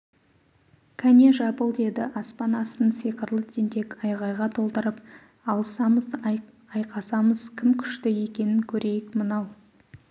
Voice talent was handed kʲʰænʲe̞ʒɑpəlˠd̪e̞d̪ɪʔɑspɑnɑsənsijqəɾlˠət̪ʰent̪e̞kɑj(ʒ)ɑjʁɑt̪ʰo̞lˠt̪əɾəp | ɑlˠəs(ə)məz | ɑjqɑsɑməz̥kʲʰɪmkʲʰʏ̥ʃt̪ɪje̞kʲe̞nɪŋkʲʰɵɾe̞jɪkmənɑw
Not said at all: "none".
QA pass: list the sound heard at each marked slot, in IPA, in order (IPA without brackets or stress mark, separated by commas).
ʁ, ɑ